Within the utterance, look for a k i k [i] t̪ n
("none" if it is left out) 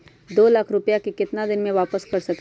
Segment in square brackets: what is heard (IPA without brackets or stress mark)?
ɪ